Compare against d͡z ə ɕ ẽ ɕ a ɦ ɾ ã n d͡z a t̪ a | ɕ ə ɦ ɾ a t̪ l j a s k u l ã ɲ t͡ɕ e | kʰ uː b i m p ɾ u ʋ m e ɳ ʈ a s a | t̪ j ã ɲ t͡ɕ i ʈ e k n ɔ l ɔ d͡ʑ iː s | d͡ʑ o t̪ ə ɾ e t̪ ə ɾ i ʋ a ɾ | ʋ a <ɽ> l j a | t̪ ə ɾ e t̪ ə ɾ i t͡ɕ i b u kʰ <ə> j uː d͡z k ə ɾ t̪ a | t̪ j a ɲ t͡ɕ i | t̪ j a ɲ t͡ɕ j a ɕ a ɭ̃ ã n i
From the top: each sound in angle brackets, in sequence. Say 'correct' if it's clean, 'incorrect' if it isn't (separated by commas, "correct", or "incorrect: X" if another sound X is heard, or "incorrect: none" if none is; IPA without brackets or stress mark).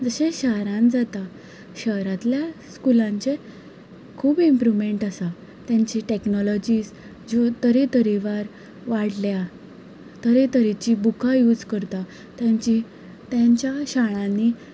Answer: correct, incorrect: a